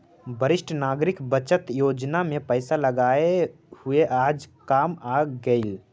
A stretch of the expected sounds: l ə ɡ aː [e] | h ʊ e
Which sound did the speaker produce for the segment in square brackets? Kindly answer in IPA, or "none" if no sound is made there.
e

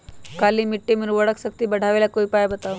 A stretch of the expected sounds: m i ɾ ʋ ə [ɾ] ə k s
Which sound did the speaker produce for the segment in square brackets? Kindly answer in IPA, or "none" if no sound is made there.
ɽ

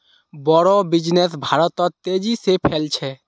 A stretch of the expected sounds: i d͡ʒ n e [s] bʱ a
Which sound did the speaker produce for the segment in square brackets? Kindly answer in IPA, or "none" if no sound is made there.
s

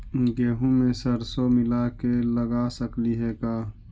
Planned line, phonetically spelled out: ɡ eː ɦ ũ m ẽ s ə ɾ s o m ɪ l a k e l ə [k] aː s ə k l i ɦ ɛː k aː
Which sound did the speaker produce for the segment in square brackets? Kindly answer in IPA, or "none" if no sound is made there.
ɡ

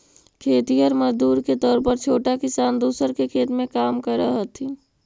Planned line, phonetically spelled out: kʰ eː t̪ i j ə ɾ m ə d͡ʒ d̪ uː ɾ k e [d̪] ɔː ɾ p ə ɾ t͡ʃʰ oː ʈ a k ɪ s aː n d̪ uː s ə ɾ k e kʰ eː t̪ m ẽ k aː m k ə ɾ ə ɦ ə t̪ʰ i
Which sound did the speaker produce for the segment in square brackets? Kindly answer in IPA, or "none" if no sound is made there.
t̪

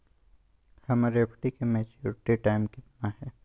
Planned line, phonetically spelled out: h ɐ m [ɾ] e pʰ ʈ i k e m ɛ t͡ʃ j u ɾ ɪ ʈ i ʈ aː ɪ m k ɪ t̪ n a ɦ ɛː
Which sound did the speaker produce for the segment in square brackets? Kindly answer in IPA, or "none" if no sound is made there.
ɾ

